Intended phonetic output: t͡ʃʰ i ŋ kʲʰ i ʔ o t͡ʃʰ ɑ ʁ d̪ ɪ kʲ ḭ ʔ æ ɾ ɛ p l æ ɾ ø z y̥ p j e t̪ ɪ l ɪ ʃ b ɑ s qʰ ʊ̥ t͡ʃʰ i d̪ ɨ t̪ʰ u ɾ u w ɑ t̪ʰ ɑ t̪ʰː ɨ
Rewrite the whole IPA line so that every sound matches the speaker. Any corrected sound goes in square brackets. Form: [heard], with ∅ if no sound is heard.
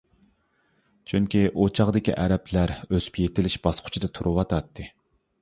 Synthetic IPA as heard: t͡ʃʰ [y] ŋ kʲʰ i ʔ o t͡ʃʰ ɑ ʁ d̪ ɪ kʲ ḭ ʔ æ ɾ ɛ p l æ ɾ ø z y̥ p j e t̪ ɪ l ɪ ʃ b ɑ s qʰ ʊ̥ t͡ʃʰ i d̪ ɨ t̪ʰ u ɾ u w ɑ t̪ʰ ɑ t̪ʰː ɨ